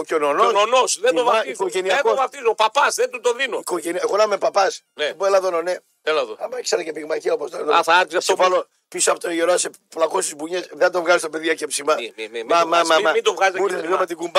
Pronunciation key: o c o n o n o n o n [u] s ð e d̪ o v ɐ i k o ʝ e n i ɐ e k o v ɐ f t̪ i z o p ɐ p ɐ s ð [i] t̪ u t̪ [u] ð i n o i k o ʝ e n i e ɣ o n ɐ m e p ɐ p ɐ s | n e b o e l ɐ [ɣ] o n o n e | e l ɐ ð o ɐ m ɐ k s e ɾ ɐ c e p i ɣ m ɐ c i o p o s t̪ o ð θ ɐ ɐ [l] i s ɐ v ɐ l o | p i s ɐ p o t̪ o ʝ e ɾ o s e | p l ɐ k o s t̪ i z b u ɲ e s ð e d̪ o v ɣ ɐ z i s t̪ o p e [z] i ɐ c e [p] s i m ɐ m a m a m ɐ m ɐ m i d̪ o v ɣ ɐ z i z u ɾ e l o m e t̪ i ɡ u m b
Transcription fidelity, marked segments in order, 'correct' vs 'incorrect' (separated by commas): incorrect, incorrect, incorrect, incorrect, incorrect, incorrect, correct